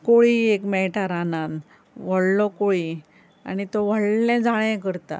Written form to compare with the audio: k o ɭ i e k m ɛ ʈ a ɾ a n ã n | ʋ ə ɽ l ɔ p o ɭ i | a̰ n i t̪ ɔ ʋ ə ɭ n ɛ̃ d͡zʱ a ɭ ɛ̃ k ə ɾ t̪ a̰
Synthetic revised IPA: k o ɭ i e k m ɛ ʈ a ɾ a n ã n | ʋ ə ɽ l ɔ k o ɭ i | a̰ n i t̪ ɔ ʋ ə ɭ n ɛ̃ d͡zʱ a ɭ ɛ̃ k ə ɾ t̪ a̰